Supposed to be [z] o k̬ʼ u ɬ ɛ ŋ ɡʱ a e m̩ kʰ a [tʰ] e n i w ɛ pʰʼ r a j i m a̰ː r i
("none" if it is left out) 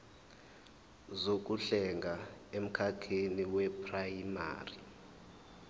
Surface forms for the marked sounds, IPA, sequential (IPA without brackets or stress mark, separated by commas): z, kʰ